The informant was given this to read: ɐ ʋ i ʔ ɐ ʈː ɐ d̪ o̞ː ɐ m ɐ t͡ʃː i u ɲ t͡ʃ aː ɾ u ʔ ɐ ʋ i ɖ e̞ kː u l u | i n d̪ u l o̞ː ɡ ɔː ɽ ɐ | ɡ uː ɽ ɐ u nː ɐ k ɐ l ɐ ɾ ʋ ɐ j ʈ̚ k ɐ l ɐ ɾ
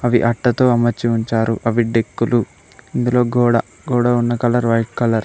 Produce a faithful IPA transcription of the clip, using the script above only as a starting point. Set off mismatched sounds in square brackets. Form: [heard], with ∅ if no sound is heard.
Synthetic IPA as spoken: ɐ ʋ i ʔ ɐ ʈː ɐ [t̪] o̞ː ɐ m ɐ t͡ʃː i u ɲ t͡ʃ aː ɾ u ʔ ɐ ʋ i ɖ e̞ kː u l u | i n d̪ u l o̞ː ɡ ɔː ɽ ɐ | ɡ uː ɽ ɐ u nː ɐ k ɐ l ɐ ɾ ʋ ɐ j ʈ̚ k ɐ l ɐ ɾ